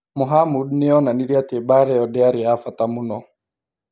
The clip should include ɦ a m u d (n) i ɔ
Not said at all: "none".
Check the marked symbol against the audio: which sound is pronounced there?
n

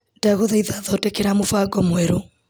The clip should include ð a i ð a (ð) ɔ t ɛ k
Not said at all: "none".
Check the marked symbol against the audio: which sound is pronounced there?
ð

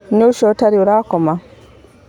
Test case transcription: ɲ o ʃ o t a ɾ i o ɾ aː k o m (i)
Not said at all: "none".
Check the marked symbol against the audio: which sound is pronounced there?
a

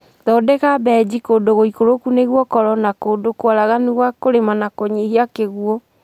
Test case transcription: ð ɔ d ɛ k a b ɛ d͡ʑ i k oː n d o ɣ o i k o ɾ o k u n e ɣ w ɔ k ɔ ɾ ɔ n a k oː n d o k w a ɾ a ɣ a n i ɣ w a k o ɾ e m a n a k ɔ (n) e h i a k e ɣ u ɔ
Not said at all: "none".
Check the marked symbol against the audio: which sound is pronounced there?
ɲ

